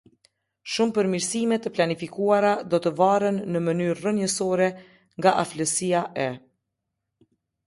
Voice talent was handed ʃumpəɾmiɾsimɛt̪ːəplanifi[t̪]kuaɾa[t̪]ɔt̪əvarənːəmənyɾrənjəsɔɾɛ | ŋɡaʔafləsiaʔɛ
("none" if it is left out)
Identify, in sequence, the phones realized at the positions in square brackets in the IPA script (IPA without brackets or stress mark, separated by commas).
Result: none, d̪